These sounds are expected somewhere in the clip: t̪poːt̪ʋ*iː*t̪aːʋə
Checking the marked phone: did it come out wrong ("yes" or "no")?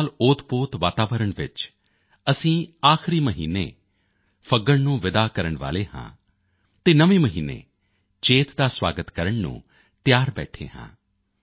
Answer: yes